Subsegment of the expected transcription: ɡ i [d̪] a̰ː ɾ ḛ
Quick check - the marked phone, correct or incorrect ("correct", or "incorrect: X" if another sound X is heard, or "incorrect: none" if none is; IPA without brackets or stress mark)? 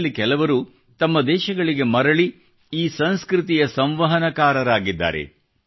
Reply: incorrect: d̪ː